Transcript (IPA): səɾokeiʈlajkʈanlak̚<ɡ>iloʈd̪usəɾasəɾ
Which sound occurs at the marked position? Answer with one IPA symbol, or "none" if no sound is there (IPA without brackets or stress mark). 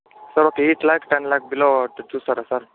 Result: b